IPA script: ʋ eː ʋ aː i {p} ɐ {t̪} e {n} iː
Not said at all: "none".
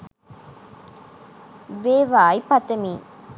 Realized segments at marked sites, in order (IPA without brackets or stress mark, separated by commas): p, t̪, m